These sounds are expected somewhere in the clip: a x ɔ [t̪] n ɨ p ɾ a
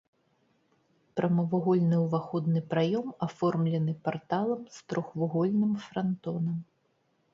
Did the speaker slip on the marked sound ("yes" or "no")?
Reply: yes